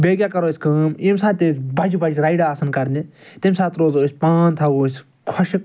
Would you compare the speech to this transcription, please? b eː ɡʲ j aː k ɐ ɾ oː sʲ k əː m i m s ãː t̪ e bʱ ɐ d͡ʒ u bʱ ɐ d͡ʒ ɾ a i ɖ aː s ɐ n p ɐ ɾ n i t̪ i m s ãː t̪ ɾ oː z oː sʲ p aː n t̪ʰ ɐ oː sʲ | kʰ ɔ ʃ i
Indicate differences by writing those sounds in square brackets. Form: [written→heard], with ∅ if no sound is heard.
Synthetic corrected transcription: b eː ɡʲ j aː k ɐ ɾ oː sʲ k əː m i m s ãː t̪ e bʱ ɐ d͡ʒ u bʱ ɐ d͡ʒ ɾ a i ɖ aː s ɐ n [p→k] ɐ ɾ n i t̪ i m s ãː t̪ ɾ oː z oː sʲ p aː n t̪ʰ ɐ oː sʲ | kʰ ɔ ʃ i